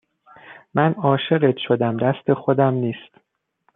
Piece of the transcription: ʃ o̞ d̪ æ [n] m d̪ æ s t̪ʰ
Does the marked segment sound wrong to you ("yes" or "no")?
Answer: yes